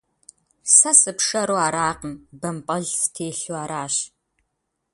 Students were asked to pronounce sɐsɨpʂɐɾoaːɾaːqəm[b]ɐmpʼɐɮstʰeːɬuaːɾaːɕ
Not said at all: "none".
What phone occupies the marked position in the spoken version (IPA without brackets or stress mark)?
b